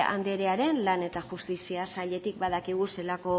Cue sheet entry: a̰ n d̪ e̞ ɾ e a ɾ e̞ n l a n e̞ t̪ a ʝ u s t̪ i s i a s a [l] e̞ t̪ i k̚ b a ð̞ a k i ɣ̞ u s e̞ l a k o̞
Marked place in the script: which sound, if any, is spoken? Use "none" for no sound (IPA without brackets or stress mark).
ʎ